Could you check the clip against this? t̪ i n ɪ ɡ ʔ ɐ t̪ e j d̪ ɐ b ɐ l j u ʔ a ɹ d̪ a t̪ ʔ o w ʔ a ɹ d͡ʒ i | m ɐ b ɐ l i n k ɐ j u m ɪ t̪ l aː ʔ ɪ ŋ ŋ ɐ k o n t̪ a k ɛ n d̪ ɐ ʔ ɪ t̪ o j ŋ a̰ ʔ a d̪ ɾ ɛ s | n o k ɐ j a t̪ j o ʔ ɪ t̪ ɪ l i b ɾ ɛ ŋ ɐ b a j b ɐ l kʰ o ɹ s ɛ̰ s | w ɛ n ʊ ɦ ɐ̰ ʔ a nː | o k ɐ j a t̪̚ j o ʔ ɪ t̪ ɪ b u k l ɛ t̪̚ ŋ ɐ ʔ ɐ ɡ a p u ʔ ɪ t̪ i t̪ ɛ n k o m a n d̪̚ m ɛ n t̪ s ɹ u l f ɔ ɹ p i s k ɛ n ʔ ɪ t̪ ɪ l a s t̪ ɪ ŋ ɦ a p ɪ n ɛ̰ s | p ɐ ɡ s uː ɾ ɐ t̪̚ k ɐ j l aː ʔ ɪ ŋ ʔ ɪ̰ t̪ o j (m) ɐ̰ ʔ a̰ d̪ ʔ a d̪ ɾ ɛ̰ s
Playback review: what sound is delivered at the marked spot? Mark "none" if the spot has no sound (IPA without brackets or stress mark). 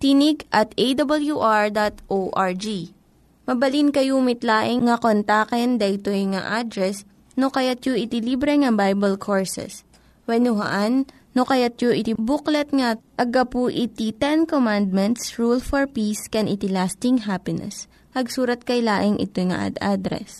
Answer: ŋ